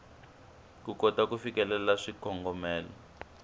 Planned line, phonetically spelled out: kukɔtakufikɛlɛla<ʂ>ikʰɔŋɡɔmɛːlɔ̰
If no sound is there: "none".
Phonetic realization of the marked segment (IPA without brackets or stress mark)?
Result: ʂ